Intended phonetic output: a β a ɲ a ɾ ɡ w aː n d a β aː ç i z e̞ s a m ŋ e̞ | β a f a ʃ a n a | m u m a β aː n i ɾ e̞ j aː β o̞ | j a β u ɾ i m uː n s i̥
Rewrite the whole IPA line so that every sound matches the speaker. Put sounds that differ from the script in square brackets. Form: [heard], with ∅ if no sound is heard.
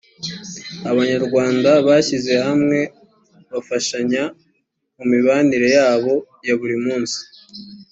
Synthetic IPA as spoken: a β a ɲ a ɾ ɡ w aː n d a β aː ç i z e̞ [h] a m ŋ e̞ | β a f a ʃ a [ɲ] a | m u m [i] β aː n i ɾ e̞ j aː β o̞ | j a β u ɾ i m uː n s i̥

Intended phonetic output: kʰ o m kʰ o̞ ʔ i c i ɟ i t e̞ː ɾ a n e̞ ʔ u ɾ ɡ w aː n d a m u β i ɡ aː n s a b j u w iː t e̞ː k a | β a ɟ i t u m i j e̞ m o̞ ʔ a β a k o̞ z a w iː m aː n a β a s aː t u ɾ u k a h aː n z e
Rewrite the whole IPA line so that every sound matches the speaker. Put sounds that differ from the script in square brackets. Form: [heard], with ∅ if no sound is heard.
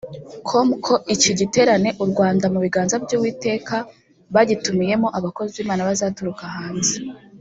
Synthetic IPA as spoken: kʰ o m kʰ o̞ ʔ i c i ɟ i t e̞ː ɾ a n e̞ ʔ u ɾ ɡ w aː n d a m u β i ɡ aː n [z] a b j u w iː t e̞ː k a | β a ɟ i t u m i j e̞ m o̞ ʔ a β a k o̞ z [i] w iː m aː n a β a [z] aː t u ɾ u k a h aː n z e

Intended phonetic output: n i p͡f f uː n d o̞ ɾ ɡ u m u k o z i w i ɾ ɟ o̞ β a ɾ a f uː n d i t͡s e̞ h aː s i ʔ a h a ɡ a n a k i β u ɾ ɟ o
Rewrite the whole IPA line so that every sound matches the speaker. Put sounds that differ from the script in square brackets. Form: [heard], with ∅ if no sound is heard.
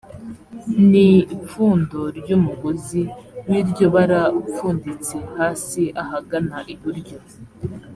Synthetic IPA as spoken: n i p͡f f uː n d o̞ ɾ [ɟ] u m u [ɡ] o z i w i ɾ ɟ o̞ β a ɾ a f uː n d i t͡s e̞ h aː s i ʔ a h a ɡ a n a [ʔ] i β u ɾ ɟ o

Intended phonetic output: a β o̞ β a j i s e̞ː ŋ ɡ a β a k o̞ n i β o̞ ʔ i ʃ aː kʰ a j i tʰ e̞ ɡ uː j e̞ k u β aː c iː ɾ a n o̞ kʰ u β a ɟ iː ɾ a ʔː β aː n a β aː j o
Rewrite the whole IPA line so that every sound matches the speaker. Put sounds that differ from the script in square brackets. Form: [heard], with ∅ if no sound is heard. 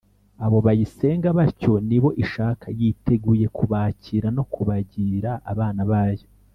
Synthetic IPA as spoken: a β o̞ β a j i s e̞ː ŋ ɡ a β a [c] o̞ n i β o̞ ʔ i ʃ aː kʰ a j i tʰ e̞ ɡ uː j e̞ k u β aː c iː ɾ a n o̞ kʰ u β a ɟ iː ɾ a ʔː β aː n a β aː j o

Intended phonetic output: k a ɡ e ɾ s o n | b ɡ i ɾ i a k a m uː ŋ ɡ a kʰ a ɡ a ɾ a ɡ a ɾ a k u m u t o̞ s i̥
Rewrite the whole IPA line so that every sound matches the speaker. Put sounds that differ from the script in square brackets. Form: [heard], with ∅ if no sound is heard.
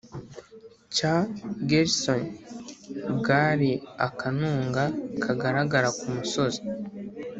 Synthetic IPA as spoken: [c] a ɡ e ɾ s o n | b ɡ [a] ɾ i a k a [n] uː ŋ ɡ a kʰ a ɡ a ɾ a ɡ a ɾ a k u m u [s] o̞ [z] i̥

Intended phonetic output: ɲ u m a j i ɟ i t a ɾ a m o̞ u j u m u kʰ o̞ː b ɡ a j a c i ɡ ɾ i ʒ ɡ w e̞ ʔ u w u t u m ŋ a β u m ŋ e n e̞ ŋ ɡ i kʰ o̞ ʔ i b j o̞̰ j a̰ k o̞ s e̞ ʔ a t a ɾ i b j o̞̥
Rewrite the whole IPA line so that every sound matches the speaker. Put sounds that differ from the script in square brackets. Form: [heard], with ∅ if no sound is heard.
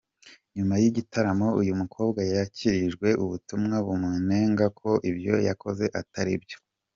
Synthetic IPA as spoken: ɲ u m a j i ɟ i t a ɾ a m o̞ u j u m u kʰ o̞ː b ɡ a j a c i [∅] ɾ i ʒ ɡ w e̞ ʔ u [β] u t u m ŋ a β u m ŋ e n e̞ ŋ ɡ [a] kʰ o̞ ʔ i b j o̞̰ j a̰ k o̞ [z] e̞ ʔ a t a ɾ i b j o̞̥

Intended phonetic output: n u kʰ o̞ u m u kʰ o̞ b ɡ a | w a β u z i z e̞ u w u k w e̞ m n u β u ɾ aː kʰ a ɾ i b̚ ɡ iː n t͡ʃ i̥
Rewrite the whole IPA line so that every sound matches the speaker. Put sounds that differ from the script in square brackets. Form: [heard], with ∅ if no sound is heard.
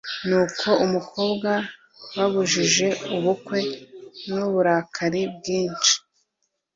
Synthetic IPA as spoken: n u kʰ o̞ u m u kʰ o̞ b ɡ a | w a β u [ʒ] i [ʒ] e̞ u [β] u k w e̞ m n u β u ɾ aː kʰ a ɾ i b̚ ɡ iː n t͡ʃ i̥

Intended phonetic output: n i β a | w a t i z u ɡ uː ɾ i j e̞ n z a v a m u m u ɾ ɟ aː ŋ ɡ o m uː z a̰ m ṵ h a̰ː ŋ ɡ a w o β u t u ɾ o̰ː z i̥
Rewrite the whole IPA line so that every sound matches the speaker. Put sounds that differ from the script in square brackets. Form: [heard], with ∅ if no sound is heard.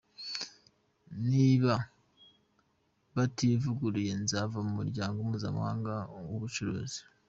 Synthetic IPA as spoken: n i β a | [β] a t i [v] u ɡ [u] ɾ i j e̞ n z a v a m u m u ɾ ɟ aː ŋ ɡ o m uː z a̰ m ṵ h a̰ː ŋ ɡ a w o β u [t͡ʃ] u ɾ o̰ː z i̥

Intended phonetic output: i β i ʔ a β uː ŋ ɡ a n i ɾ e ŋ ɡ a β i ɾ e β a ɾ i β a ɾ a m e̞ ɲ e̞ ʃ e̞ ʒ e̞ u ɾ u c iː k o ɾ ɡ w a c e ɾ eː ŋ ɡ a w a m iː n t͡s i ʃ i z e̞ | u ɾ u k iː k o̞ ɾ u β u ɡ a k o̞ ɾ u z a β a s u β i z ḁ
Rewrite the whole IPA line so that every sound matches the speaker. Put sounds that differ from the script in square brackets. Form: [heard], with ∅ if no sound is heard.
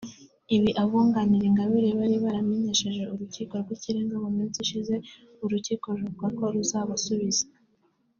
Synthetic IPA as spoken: i β i ʔ a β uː ŋ ɡ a n i ɾ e ŋ ɡ a β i ɾ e β a ɾ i β a ɾ a m e̞ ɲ e̞ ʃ e̞ ʒ e̞ u ɾ u c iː k o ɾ ɡ w [i] c [i] ɾ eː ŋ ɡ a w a m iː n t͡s i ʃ i z e̞ | u ɾ u [c] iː k o̞ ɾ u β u ɡ a k o̞ ɾ u z a β a s u β i z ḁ

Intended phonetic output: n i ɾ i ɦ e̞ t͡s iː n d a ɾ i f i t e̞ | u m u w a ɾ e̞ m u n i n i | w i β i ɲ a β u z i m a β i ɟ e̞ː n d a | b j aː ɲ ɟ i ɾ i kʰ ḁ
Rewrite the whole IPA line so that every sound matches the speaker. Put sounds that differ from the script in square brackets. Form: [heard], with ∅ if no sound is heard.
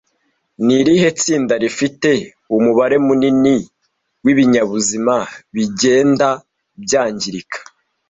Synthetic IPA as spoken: n i ɾ i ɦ e̞ t͡s iː n d a ɾ i f i t e̞ | u m u [β] a ɾ e̞ m u n i n i | w i β i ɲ a β u z i m a β i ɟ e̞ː n d a | b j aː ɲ ɟ i ɾ i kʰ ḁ

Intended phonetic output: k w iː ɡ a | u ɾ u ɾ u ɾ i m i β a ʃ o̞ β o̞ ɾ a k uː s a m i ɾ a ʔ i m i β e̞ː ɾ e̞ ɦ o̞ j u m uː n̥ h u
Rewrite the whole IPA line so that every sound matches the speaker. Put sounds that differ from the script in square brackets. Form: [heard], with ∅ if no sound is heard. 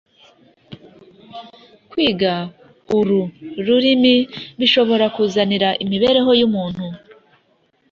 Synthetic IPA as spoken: k w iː ɡ a | u ɾ u ɾ u ɾ i m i β [i] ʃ o̞ β o̞ ɾ a k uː [z] a [n] i ɾ a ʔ i m i β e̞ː ɾ e̞ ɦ o̞ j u m uː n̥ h u

